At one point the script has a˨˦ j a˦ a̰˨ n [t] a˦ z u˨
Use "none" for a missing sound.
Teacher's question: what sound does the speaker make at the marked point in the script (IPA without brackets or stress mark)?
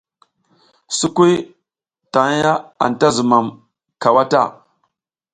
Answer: t